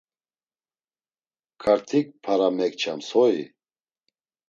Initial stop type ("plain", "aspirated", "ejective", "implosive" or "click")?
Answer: aspirated